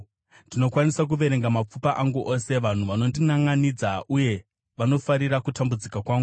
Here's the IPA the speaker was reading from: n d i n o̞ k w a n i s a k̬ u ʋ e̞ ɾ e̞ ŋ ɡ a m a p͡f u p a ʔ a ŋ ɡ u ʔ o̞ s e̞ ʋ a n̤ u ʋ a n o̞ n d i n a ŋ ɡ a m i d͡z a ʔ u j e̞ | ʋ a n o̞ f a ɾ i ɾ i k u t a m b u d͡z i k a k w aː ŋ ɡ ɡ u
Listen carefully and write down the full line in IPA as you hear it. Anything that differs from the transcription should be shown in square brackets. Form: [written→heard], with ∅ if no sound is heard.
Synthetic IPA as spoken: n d i n o̞ k w a n i s a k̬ u ʋ e̞ ɾ e̞ ŋ ɡ a m a p͡f u p a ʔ a ŋ ɡ u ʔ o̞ s e̞ ʋ a n̤ u ʋ a n o̞ n d i n a ŋ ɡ a [m→n] i d͡z a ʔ u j e̞ | ʋ a n o̞ f a ɾ i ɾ [i→a] k u t a m b u d͡z i k a k w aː ŋ ɡ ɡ u